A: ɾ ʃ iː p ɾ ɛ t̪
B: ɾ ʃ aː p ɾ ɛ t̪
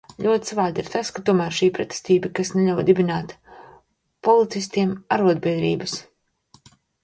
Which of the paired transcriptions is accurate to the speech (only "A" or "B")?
A